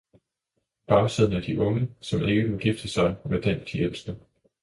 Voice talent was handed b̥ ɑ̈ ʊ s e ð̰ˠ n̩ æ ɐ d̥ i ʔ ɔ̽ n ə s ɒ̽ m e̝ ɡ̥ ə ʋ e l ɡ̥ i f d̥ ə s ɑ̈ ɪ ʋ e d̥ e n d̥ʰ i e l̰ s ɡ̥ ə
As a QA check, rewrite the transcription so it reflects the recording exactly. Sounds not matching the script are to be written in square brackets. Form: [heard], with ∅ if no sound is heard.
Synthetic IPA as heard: b̥ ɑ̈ ʊ s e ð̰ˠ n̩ æ ɐ d̥ i ʔ ɔ̽ [ŋ] ə s ɒ̽ m e̝ ɡ̥ ə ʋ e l ɡ̥ i f d̥ ə s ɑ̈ ɪ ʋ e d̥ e n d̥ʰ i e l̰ s [d̥] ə

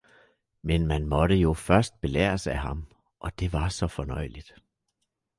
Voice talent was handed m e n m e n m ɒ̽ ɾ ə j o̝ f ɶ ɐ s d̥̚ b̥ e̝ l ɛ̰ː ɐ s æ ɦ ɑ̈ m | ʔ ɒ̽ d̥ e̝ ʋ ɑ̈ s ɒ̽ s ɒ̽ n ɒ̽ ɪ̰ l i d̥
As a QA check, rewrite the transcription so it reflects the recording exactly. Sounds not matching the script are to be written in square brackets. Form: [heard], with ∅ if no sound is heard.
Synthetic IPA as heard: m e n m [æ] n m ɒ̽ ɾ ə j o̝ f ɶ ɐ s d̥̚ b̥ e̝ l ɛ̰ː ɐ s æ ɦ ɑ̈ m | ʔ ɒ̽ d̥ e̝ ʋ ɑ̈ s ɒ̽ [f] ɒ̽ n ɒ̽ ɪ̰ l i d̥

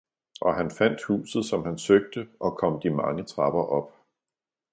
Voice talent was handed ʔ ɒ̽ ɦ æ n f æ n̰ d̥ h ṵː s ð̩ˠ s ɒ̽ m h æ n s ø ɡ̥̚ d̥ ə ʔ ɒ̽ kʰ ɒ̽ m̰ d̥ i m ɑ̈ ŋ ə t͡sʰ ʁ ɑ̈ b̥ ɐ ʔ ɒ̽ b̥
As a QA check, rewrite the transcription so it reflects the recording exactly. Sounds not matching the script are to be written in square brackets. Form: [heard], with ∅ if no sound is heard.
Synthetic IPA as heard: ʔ ɒ̽ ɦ æ n f æ n̰ d̥ h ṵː s ð̩ˠ s ɒ̽ m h æ n s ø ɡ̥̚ d̥ ə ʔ ɒ̽ kʰ ɒ̽ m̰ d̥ i m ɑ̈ ŋ ə t͡sʰ ʁ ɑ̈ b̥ ɐ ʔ ɒ̽ b̥

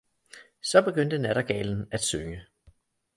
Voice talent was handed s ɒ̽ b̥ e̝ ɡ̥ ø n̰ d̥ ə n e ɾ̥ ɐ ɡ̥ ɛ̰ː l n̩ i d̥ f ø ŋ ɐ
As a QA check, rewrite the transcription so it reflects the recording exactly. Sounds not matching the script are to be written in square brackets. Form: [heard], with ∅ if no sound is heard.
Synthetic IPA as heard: s ɒ̽ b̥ e̝ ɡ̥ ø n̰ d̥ ə n [æ] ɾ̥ ɐ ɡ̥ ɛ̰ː l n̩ [æ] d̥ [s] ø ŋ [ə]

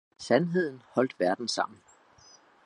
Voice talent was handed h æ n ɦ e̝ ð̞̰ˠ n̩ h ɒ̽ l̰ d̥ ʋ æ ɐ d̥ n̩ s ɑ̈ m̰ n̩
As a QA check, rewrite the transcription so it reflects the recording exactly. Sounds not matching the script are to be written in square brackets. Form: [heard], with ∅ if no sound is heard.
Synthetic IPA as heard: [s] æ n ɦ e̝ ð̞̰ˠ n̩ h ɒ̽ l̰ d̥ ʋ æ ɐ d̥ n̩ s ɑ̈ m̰ n̩

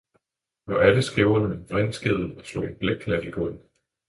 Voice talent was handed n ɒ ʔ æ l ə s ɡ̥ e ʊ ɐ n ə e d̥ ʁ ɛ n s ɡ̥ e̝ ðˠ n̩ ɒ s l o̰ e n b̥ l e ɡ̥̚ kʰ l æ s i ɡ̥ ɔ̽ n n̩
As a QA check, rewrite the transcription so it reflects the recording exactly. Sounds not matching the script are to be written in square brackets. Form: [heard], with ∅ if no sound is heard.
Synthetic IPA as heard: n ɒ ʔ æ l ə s ɡ̥ e ʊ ɐ n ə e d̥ ʁ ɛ n s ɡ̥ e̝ ðˠ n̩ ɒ s l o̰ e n b̥ l e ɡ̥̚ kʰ l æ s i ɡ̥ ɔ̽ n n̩

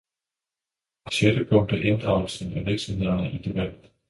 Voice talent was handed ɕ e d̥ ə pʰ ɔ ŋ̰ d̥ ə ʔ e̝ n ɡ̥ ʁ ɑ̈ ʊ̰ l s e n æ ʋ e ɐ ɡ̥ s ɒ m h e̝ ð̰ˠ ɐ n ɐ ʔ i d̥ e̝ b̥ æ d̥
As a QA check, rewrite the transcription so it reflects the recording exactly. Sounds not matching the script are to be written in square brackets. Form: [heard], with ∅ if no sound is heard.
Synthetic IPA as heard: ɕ e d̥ ə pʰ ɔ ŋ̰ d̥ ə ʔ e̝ n [d̥] ʁ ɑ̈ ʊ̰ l s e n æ ʋ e ɐ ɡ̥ s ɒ m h e̝ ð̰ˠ ɐ n [ə] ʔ i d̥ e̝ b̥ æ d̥

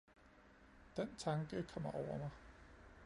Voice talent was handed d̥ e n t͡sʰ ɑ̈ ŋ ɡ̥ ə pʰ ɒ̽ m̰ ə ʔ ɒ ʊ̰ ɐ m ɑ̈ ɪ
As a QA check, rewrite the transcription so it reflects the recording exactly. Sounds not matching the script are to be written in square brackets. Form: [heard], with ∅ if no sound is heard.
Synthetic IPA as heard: d̥ e n t͡sʰ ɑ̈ ŋ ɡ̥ ə [kʰ] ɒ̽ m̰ [ɐ] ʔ ɒ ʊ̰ ɐ m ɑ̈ ɪ

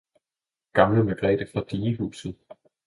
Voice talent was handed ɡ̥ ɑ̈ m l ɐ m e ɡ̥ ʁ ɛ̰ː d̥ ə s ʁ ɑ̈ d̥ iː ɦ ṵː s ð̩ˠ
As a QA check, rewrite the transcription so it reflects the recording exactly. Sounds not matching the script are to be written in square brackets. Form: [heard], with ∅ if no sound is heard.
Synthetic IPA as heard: ɡ̥ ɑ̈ m l [ə] m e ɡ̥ ʁ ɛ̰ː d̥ ə [f] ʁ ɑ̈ d̥ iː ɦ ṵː s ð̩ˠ

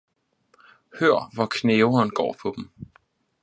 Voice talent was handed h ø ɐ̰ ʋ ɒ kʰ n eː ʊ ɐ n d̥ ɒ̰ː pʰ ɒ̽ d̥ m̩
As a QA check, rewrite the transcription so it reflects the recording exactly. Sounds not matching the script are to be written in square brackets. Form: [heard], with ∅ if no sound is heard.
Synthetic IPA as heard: h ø ɐ̰ ʋ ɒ kʰ n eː ʊ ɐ n [ɡ̥] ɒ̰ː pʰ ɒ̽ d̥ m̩

